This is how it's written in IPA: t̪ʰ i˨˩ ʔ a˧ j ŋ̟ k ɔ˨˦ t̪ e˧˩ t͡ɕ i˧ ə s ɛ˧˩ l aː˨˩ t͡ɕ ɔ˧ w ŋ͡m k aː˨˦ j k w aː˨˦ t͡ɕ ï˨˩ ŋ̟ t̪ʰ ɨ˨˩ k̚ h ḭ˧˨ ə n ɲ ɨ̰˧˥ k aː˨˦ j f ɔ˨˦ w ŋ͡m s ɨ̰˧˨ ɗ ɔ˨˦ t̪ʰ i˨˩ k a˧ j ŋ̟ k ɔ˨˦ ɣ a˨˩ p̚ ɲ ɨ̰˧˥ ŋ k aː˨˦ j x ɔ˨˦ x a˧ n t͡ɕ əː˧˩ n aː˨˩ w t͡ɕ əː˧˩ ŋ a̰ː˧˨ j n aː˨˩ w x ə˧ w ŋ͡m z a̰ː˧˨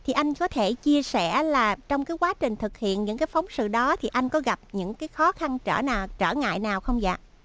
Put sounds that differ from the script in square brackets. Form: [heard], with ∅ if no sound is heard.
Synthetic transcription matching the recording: t̪ʰ i˨˩ ʔ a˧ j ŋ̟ k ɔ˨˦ [t̪ʰ] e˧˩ t͡ɕ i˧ ə s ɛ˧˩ l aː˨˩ t͡ɕ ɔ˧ w ŋ͡m k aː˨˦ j k w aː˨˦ t͡ɕ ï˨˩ ŋ̟ t̪ʰ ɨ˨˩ k̚ h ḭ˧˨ ə n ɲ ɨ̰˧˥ k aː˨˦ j f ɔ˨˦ w ŋ͡m s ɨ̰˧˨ ɗ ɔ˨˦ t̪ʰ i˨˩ [ʔ] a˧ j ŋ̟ k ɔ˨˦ ɣ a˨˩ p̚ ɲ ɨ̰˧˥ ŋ k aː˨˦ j x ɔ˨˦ x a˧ n t͡ɕ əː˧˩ n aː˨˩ w t͡ɕ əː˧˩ ŋ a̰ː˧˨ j n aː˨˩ w x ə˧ w ŋ͡m z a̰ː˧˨